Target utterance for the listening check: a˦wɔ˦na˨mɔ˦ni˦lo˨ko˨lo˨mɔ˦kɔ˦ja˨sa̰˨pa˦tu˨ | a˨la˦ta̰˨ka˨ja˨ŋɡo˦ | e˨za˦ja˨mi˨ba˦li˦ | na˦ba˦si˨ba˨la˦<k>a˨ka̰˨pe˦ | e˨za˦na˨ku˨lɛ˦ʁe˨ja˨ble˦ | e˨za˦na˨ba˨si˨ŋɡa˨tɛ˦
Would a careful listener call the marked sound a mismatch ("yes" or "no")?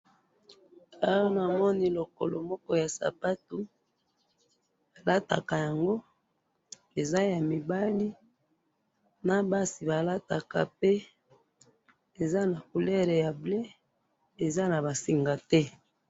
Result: yes